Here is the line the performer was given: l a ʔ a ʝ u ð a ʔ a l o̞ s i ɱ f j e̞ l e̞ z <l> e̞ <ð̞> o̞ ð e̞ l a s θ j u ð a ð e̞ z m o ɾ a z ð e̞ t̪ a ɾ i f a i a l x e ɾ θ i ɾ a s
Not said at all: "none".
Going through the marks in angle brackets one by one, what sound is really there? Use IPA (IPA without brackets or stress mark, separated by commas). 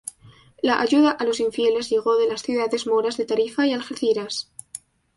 ʎ, ɣ̞